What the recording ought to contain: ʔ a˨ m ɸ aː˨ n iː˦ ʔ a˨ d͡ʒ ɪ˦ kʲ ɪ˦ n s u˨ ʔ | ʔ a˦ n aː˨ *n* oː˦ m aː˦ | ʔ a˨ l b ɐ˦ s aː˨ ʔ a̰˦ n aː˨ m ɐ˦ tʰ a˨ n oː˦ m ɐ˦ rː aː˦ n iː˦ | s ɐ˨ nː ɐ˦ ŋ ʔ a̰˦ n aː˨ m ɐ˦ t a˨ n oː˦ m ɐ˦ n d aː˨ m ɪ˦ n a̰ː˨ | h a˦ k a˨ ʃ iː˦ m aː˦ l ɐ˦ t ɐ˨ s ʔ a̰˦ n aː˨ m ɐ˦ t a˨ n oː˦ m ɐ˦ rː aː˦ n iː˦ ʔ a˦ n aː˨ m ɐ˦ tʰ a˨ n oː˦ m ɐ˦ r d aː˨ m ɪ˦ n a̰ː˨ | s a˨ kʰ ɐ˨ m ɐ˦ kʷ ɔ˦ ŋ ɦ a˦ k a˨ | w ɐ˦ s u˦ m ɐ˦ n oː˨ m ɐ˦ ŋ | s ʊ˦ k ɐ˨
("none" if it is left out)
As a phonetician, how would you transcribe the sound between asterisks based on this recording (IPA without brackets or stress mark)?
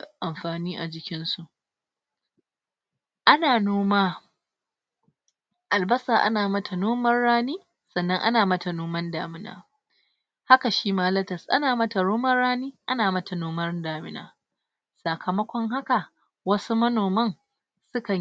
n